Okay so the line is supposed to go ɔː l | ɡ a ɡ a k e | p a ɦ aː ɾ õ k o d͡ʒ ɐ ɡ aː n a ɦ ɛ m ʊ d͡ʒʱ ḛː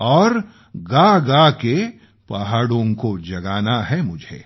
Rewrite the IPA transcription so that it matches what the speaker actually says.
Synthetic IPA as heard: ɔː ɾ | ɡ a ɡ a k e | p a ɦ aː ɽ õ k o d͡ʒ ɐ ɡ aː n a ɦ ɛ m ʊ d͡ʒʱ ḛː